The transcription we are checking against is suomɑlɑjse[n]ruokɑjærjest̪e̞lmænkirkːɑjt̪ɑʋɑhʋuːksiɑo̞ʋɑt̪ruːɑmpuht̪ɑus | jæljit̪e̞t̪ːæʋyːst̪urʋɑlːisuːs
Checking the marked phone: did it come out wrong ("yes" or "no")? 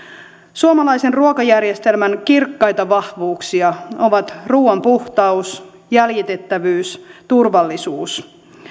no